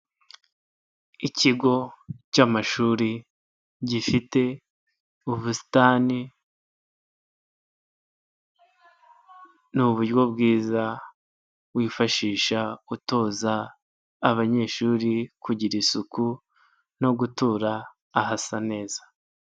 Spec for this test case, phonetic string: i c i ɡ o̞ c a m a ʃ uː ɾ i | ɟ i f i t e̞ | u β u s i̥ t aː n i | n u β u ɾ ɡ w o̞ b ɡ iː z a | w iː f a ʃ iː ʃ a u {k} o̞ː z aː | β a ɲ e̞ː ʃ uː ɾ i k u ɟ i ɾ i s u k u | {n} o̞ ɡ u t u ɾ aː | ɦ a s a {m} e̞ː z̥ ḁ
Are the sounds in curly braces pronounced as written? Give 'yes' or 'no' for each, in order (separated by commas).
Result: no, yes, no